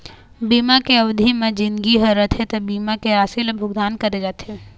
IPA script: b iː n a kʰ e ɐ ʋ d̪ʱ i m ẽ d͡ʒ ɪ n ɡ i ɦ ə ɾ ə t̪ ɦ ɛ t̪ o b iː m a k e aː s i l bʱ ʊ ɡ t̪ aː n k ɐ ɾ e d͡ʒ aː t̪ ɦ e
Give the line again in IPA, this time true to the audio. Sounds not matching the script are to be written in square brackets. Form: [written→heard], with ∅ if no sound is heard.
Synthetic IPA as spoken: b iː [n→m] a [kʰ→k] e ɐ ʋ d̪ʱ i m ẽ d͡ʒ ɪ n ɡ i ɦ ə ɾ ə t̪ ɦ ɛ t̪ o b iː m a k e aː s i l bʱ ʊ ɡ [t̪→d̪] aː n k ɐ ɾ e d͡ʒ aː t̪ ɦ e